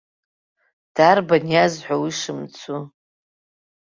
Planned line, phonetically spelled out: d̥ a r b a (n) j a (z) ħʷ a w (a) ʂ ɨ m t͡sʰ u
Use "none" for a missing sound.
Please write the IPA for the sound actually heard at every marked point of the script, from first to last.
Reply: n, z, i

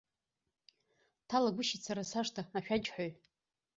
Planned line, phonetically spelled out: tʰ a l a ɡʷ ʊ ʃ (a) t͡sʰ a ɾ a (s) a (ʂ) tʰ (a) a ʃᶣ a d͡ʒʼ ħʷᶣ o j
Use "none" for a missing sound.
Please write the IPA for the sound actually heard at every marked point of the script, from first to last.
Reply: i, s, ʂ, a

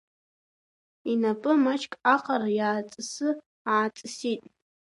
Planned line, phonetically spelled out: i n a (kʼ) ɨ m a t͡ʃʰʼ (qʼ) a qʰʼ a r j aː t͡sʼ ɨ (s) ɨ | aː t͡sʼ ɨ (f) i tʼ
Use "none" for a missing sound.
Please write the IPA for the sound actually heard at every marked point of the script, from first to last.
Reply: pʼ, kʼ, s, s

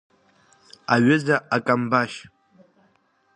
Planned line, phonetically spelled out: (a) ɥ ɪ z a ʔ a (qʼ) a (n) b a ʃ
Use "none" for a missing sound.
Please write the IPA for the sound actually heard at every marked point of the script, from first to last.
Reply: a, kʼ, m

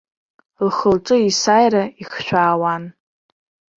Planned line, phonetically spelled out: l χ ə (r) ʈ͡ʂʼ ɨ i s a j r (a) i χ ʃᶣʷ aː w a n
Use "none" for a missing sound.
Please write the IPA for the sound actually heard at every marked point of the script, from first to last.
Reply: l, a

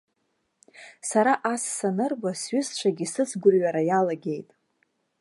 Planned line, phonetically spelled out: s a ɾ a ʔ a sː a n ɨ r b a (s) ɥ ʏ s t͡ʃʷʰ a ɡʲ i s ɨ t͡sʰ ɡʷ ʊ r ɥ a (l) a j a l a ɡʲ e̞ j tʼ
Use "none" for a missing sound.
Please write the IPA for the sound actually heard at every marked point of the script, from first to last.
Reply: s, ɾ

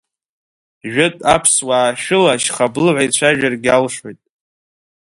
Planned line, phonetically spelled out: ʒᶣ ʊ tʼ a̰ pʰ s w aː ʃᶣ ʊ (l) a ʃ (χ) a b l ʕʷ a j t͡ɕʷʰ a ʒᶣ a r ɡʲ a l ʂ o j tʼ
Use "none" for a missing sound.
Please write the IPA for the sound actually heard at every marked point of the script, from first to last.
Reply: l, χ

